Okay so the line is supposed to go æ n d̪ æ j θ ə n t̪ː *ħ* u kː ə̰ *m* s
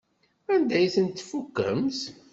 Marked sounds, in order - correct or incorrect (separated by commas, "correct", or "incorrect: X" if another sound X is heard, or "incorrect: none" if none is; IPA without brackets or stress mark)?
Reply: incorrect: f, correct